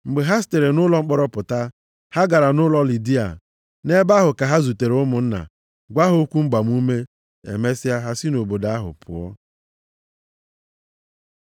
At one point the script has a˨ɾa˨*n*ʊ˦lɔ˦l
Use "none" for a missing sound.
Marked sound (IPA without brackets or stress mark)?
n